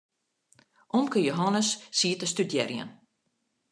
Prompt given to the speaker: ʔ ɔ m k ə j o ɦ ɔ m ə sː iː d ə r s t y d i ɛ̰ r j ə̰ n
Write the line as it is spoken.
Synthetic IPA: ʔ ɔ m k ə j o ɦ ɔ n ə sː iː t ə s t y d j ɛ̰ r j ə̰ n